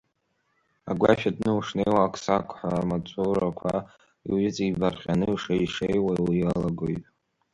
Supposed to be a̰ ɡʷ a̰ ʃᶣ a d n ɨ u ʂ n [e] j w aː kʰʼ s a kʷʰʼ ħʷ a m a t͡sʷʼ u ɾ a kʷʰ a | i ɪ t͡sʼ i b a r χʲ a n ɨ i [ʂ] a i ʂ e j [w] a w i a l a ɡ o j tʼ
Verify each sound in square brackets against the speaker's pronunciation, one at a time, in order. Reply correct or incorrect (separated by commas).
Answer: correct, correct, correct